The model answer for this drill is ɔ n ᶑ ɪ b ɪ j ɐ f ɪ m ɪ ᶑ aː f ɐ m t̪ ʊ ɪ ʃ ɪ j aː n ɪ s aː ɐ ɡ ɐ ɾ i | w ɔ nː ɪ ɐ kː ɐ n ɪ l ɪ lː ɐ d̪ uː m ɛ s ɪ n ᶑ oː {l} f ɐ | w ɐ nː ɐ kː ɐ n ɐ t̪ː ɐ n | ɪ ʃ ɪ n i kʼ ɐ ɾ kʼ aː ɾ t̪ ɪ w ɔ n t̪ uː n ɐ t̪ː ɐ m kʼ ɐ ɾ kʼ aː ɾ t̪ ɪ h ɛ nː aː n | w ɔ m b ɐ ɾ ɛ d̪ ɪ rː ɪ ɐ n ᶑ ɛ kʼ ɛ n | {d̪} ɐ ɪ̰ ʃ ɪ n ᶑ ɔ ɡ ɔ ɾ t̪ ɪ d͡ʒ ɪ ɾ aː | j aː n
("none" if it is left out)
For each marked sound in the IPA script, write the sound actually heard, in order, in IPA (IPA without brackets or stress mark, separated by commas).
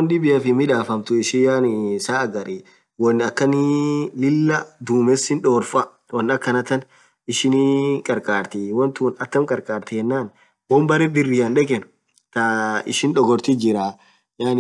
ɾ, t̪